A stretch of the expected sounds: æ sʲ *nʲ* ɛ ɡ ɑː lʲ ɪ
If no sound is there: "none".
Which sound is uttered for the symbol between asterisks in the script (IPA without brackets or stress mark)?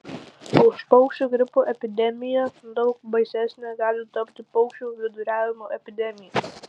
nʲ